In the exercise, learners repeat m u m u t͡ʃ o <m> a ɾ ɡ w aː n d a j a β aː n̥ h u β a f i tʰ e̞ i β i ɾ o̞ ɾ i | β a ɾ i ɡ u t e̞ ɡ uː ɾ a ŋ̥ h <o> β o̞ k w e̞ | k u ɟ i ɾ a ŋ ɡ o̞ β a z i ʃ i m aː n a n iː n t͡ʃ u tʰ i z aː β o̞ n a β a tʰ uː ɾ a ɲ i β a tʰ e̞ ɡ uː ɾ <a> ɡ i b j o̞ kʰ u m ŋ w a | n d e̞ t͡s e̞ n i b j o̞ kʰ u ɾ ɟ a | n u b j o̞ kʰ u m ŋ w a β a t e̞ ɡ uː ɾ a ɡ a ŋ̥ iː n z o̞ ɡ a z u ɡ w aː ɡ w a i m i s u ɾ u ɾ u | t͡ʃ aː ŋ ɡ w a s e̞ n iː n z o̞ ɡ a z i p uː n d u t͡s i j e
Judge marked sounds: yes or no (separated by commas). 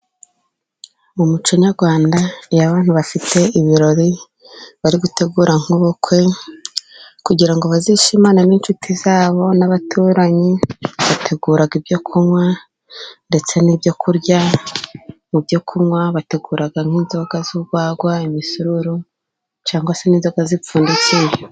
no, yes, yes